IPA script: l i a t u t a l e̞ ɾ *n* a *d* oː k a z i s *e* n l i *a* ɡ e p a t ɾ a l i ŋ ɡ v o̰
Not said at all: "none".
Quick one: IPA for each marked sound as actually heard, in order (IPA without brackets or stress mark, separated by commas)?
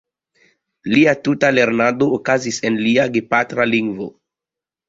n, d, e, a